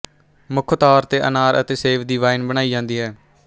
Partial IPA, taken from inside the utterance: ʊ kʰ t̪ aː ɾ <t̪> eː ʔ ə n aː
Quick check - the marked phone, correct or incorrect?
correct